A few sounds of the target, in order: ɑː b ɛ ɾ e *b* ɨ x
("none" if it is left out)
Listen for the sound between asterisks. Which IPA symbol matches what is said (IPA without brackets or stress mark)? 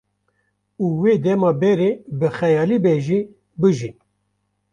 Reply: b